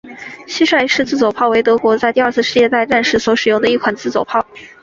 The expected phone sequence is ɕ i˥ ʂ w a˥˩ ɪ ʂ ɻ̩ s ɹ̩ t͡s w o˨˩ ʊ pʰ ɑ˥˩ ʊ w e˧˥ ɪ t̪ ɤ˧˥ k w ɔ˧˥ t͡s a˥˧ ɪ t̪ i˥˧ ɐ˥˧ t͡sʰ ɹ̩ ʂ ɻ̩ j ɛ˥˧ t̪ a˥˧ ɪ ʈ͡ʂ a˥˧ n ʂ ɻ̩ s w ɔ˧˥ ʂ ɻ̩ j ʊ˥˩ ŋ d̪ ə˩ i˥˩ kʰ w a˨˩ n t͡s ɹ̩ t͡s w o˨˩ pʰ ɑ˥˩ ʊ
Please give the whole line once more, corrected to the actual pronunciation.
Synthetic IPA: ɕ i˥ ʂ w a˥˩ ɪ ʂ ɻ̩ t͡s ɹ̩ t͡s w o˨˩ ʊ pʰ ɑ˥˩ ʊ w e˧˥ ɪ t̪ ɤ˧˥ k w ɔ˧˥ t͡s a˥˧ ɪ t̪ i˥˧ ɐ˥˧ t͡sʰ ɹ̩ ʂ ɻ̩ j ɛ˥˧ t̪ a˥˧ ɪ ʈ͡ʂ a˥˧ n ʂ ɻ̩ s w ɔ˧˥ ʂ ɻ̩ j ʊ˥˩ ŋ d̪ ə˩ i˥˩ kʰ w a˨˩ n t͡s ɹ̩ t͡s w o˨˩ pʰ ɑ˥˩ ʊ